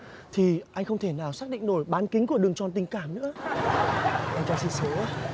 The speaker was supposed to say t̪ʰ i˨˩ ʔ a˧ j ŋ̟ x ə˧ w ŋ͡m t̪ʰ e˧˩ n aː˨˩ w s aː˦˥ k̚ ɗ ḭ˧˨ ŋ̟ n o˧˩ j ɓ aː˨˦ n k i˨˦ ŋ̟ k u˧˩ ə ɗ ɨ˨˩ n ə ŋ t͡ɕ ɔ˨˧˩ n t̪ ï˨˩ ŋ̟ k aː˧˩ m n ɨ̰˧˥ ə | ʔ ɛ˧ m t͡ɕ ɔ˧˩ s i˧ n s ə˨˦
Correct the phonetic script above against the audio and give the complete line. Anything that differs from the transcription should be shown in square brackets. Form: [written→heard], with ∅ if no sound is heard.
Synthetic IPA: t̪ʰ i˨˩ ʔ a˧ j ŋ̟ x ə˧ w ŋ͡m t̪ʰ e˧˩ n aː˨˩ w s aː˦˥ k̚ ɗ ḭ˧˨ ŋ̟ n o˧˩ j ɓ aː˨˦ n k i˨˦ ŋ̟ k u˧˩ ə ɗ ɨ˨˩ [n→∅] ə ŋ t͡ɕ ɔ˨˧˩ n t̪ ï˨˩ ŋ̟ k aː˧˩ m n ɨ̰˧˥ ə | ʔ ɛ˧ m t͡ɕ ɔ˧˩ s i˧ n s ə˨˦